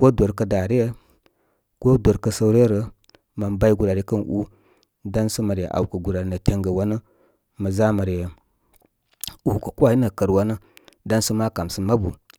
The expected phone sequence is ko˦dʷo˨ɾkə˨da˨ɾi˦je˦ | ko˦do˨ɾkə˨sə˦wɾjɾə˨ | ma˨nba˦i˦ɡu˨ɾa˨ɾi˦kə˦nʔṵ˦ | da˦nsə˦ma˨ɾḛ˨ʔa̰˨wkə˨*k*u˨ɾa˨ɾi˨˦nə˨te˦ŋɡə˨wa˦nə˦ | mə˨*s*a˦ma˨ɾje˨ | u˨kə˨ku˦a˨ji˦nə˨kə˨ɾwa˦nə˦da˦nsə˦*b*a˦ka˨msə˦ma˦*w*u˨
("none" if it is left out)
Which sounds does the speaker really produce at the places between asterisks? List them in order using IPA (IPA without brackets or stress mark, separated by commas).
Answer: ɡ, z, m, b